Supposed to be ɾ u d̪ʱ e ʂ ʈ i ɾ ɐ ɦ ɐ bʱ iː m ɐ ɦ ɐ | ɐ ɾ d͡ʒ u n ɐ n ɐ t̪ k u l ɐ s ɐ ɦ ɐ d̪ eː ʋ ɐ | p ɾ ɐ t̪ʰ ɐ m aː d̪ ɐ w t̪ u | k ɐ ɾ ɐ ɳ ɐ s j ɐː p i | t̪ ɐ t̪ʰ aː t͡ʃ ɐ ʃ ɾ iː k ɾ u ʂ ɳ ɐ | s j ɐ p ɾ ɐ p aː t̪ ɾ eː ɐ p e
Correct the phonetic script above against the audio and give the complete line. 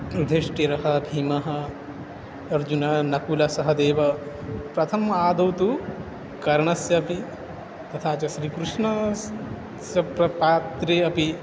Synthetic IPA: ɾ u d̪ʱ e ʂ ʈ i ɾ ɐ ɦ ɐ bʱ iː m ɐ ɦ ɐ | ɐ ɾ d͡ʒ u n ɐ n ɐ k u l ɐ s ɐ ɦ ɐ d̪ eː ʋ ɐ | p ɾ ɐ t̪ʰ ɐ m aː d̪ ɐ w t̪ u | k ɐ ɾ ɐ ɳ ɐ s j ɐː p i | t̪ ɐ t̪ʰ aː t͡ʃ ɐ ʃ ɾ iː k ɾ u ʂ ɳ ɐ | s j ɐ p ɾ ɐ p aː t̪ ɾ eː ɐ p i

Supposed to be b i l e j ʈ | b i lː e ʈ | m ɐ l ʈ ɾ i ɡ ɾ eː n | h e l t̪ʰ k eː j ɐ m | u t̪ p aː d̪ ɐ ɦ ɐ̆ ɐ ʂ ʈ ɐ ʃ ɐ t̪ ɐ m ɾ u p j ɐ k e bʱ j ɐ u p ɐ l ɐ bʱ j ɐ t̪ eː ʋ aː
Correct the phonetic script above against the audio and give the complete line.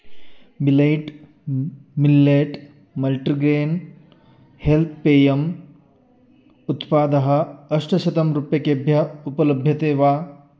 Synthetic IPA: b i l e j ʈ | m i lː e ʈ | m ɐ l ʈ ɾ i ɡ ɾ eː n | h e l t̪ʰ p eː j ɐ m | u t̪ p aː d̪ ɐ ɦ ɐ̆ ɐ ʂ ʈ ɐ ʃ ɐ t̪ ɐ m ɾ u p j ɐ k e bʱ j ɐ u p ɐ l ɐ bʱ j ɐ t̪ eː ʋ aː

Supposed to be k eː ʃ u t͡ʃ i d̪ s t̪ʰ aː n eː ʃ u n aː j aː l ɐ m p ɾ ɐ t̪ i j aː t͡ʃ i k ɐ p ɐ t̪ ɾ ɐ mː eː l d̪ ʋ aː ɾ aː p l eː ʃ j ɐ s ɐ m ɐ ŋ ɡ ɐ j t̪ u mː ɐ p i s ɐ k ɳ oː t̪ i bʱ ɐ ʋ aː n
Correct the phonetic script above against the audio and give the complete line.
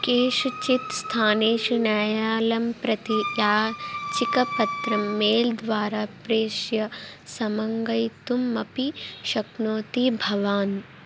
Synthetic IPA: k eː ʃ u t͡ʃ i t̪ s t̪ʰ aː n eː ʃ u n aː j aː l ɐ m p ɾ ɐ t̪ i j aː t͡ʃ i k ɐ p ɐ t̪ ɾ ɐ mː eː l d̪ ʋ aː ɾ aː p ɾ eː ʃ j ɐ s ɐ m ɐ ŋ ɡ ɐ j t̪ u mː ɐ p i ʃ ɐ k n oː t̪ i bʱ ɐ ʋ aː n

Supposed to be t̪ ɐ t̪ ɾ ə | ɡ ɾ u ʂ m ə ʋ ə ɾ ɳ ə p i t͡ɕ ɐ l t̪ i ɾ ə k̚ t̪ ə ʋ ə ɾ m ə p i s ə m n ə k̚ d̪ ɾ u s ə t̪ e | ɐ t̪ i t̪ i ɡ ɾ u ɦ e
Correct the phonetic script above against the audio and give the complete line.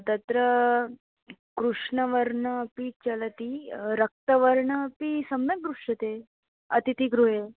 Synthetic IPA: t̪ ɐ t̪ ɾ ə | k ɾ u ʂ ɳ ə ʋ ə ɾ ɳ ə p i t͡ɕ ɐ l t̪ i ɾ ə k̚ t̪ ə ʋ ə ɾ ɳ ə p i s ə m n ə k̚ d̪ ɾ u ʂ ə t̪ e | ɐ t̪ i t̪ i ɡ ɾ u ɦ e

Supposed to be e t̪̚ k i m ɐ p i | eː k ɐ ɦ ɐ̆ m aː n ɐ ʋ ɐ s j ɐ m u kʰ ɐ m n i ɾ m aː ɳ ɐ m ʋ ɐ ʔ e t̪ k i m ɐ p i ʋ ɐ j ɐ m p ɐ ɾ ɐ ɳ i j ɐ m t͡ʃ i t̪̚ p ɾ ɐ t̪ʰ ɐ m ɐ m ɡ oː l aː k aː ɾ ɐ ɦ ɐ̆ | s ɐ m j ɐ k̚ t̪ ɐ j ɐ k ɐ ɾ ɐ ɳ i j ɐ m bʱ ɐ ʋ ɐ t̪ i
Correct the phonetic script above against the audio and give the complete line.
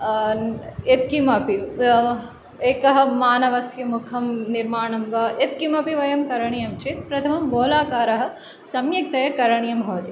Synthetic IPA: e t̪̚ k i m ɐ p i | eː k ɐ ɦ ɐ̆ m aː n ɐ ʋ ɐ s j ɐ m u kʰ ɐ m n i ɾ m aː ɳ ɐ m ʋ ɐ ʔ e t̪ k i m ɐ p i ʋ ɐ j ɐ m k ɐ ɾ ɐ ɳ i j ɐ m t͡ʃ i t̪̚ p ɾ ɐ t̪ʰ ɐ m ɐ m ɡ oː l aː k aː ɾ ɐ ɦ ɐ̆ | s ɐ m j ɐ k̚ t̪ ɐ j ɐ k ɐ ɾ ɐ ɳ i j ɐ m bʱ ɐ ʋ ɐ t̪ i

